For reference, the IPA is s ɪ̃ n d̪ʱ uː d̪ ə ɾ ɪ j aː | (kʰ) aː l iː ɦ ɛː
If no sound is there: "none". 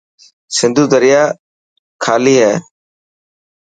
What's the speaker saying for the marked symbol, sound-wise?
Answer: kʰ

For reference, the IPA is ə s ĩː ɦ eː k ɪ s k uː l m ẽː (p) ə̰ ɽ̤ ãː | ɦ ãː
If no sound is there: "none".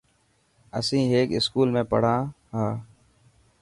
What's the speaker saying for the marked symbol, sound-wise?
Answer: p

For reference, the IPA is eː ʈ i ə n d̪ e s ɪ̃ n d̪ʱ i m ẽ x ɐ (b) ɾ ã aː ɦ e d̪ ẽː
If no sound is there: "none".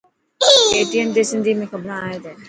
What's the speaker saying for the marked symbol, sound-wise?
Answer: b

